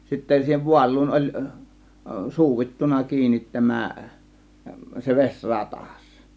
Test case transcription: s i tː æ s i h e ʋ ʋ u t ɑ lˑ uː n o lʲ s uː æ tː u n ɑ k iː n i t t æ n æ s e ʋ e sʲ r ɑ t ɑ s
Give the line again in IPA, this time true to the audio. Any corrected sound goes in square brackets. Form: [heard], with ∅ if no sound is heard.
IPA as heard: s i tː æ s [iː] h e ʋ ʋ u [∅] ɑ lˑ uː n o lʲ s uː [i] tː u n ɑ k iː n i t t æ [m] æ s e ʋ e sʲ r ɑ t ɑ s